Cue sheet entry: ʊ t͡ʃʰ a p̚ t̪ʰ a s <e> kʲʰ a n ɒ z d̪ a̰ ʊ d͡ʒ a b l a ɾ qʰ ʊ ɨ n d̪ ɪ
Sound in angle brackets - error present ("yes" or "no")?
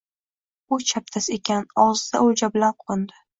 no